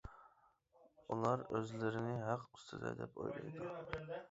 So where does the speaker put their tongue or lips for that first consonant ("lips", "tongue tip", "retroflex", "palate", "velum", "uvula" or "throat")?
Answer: tongue tip